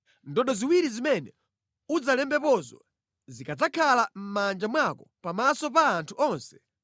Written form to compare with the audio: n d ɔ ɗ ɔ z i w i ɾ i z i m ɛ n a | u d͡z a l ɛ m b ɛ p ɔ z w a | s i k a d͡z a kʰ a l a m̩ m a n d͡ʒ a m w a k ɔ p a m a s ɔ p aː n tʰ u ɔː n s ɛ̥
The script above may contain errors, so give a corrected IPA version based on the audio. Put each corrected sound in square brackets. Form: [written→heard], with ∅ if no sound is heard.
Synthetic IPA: n d ɔ ɗ ɔ z i w i ɾ i z i m ɛ n [a→ɛ] | u d͡z a l ɛ m b ɛ p ɔ z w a | [s→z] i k a d͡z a kʰ a l a m̩ m a n d͡ʒ a m w a k ɔ p a m a s ɔ p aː n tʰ u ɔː n s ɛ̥